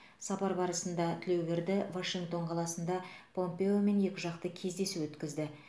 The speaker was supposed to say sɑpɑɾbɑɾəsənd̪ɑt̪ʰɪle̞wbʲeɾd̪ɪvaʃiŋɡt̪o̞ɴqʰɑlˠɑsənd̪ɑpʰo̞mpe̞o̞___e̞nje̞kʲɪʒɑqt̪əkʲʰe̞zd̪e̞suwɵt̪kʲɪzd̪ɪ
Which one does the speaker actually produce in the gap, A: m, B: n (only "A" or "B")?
A